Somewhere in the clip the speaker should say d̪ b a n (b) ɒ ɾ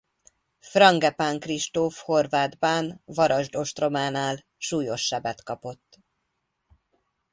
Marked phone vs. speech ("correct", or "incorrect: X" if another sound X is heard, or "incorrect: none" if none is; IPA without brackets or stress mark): incorrect: v